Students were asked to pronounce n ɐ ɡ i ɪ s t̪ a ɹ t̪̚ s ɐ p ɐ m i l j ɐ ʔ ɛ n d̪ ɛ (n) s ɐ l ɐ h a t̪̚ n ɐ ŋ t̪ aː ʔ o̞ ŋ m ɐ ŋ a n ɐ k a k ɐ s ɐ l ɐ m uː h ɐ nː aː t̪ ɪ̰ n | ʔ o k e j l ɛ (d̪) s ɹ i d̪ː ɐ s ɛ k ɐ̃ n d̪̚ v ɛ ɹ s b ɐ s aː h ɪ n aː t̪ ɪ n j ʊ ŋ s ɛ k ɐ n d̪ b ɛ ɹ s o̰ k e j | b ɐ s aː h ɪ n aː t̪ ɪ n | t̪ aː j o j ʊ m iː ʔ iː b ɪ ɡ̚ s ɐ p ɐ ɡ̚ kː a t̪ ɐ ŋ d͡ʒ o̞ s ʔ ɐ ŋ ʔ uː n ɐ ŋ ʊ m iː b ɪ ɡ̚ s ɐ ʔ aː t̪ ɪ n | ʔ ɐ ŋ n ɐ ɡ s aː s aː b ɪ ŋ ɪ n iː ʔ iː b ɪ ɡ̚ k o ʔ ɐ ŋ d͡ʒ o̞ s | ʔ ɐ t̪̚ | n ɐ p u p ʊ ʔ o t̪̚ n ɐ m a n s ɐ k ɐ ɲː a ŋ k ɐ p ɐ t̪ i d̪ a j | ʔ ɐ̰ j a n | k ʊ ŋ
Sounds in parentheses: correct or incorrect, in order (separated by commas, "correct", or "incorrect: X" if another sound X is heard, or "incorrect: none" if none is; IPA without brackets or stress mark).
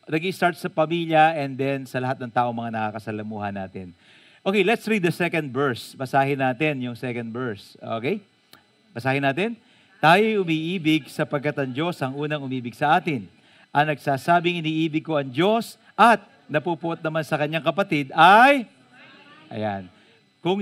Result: correct, incorrect: t̪